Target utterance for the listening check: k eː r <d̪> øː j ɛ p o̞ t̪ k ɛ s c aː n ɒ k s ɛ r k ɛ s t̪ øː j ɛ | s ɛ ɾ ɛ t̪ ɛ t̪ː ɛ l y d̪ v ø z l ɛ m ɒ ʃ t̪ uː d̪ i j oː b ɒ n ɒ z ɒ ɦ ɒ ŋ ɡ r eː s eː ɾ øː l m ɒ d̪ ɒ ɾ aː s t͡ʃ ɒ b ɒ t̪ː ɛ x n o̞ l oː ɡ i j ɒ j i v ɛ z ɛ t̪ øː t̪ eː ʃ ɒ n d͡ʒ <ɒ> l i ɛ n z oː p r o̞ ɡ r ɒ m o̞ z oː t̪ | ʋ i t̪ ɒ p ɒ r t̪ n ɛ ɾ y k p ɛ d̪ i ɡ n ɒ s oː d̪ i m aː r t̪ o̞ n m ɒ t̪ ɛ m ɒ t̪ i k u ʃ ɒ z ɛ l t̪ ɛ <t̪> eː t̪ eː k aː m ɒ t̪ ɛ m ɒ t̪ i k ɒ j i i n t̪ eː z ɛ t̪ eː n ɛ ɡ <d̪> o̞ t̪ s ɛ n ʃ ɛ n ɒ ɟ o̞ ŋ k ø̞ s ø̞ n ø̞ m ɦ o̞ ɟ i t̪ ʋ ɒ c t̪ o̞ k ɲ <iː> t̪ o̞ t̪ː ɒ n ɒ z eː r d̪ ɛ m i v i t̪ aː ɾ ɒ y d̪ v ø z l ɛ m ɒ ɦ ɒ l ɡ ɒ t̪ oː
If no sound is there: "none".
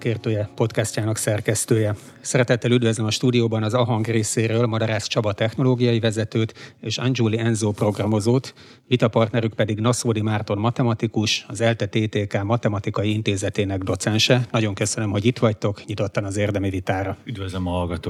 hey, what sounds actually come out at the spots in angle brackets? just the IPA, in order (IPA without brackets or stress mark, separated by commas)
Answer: t̪, u, t̪, d̪, i